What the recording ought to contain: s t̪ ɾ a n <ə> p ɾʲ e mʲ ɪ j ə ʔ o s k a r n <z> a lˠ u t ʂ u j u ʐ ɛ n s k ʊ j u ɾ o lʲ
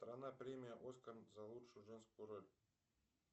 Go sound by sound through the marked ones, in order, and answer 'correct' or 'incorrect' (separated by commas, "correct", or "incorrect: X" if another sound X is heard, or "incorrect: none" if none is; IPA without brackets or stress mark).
incorrect: a, correct